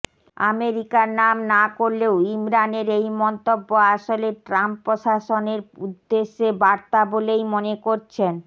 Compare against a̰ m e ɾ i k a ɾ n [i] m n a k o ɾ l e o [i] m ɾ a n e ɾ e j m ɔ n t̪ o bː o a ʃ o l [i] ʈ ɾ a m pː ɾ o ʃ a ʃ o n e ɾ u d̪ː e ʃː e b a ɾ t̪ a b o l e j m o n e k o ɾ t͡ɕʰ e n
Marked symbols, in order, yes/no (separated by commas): no, yes, no